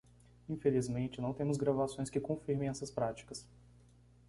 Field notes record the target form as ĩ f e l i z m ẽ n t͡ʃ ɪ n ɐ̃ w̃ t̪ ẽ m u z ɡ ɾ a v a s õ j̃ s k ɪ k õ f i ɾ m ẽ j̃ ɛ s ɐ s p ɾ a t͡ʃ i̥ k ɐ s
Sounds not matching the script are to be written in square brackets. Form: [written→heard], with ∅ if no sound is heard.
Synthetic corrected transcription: ĩ f e l i z m ẽ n t͡ʃ ɪ n ɐ̃ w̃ t̪ ẽ m [u→ʊ] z ɡ ɾ a v a s õ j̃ s k ɪ k õ f i ɾ m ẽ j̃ ɛ s ɐ s p ɾ a t͡ʃ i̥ k ɐ s